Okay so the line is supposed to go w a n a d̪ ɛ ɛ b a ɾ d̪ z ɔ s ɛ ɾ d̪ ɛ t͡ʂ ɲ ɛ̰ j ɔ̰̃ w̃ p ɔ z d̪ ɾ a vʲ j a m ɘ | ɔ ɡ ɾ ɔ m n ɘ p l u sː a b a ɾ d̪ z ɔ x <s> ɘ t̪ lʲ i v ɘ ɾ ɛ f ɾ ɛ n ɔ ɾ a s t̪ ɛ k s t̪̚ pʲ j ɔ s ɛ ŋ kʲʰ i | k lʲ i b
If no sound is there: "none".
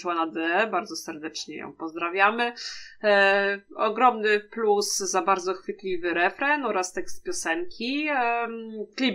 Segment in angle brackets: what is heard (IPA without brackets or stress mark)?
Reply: f